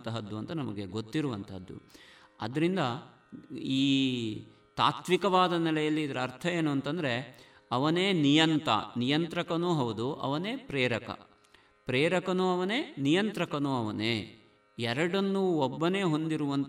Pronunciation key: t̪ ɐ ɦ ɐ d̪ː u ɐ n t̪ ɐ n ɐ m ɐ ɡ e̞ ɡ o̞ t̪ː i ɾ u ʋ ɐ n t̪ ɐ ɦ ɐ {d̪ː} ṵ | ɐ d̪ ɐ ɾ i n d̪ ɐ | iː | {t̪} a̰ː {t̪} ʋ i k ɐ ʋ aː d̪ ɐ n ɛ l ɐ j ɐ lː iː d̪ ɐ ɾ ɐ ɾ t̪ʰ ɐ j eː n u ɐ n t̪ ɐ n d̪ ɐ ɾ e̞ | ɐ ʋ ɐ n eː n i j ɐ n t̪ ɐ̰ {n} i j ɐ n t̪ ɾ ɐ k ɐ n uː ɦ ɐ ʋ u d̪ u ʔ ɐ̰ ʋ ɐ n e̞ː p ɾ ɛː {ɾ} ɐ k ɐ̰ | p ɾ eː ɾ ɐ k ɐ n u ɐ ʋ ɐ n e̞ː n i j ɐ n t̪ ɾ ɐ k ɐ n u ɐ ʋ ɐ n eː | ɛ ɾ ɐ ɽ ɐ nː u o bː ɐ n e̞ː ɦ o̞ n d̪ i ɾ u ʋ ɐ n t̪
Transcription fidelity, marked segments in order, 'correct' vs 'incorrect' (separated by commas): correct, correct, correct, correct, correct